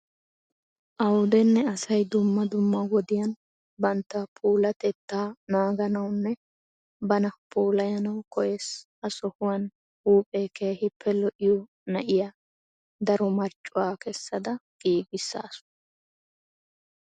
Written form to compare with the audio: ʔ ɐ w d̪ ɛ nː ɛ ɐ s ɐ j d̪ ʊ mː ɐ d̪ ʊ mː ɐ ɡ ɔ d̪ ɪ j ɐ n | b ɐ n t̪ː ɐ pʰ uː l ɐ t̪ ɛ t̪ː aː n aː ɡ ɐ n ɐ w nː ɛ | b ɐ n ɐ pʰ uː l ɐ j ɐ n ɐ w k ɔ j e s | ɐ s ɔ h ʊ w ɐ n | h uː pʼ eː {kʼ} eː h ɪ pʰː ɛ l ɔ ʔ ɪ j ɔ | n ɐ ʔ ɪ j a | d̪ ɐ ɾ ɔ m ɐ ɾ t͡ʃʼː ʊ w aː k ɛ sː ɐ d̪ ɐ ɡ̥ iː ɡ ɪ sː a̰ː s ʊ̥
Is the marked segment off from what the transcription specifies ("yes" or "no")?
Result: yes